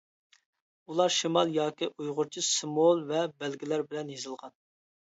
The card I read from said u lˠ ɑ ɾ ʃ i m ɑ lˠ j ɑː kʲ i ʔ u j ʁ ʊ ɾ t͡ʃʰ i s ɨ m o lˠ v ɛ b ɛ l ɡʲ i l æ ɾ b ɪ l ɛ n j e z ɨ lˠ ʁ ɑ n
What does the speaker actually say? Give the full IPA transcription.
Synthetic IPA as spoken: u lˠ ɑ ɾ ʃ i m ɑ lˠ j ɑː kʲ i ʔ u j ʁ ʊ ɾ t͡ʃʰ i s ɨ m o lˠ v ɛ b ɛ l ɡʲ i l æ ɾ b ɪ l ɛ n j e z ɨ lˠ ʁ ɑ n